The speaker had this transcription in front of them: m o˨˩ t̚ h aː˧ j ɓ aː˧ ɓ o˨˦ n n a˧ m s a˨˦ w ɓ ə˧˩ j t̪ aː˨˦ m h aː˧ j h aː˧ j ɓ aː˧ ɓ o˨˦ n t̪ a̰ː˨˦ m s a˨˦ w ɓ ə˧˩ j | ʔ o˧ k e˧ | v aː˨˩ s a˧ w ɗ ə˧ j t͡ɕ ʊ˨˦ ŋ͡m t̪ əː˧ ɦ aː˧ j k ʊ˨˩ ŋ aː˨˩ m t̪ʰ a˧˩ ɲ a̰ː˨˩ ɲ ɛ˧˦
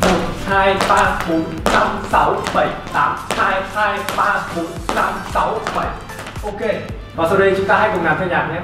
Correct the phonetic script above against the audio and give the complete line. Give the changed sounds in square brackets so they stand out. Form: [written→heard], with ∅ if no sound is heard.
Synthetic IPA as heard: m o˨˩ t̚ h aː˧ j ɓ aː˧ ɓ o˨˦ n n a˧ m s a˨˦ w ɓ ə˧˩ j t̪ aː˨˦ m h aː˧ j h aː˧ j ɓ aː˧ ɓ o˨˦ n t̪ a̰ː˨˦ m s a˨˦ w ɓ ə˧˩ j | ʔ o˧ k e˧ | v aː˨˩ s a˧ w ɗ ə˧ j t͡ɕ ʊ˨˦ ŋ͡m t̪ [əː˧→aː˧] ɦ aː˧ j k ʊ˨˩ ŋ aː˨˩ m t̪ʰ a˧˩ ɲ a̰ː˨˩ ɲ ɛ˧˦

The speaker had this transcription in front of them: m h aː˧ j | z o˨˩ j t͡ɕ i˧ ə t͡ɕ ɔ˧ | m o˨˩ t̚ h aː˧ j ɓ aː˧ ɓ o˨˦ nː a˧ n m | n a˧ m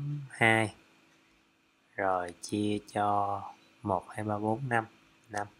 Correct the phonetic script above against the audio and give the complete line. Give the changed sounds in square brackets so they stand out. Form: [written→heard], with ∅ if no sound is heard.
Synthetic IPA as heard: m h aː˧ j | z o˨˩ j t͡ɕ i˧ ə t͡ɕ ɔ˧ | m o˨˩ t̚ h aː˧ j ɓ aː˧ ɓ o˨˦ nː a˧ [n→∅] m | n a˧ m

